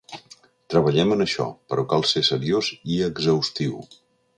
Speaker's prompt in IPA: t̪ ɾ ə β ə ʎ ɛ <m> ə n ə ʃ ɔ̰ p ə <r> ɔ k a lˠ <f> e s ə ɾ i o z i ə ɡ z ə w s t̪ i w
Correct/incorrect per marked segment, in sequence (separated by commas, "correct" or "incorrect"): correct, incorrect, incorrect